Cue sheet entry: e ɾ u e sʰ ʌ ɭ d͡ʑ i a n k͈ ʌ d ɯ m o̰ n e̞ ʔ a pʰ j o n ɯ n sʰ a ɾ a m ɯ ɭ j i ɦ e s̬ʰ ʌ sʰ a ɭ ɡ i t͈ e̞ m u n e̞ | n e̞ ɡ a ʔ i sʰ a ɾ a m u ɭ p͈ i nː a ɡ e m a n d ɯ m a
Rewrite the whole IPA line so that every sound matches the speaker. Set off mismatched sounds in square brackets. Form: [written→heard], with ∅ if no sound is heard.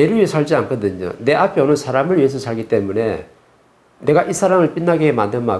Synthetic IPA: e ɾ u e sʰ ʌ ɭ d͡ʑ i a n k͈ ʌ d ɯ [m→ɲ] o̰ n e̞ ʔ a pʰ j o n ɯ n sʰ a ɾ a m ɯ ɭ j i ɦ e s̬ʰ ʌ sʰ a ɭ ɡ i t͈ e̞ m u n e̞ | n e̞ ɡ a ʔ i sʰ a ɾ a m [u→ɯ] ɭ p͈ i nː a ɡ e m a n d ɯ m a